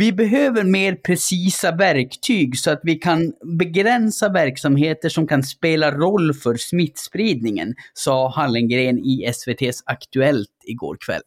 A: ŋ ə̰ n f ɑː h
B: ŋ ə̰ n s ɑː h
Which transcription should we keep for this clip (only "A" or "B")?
B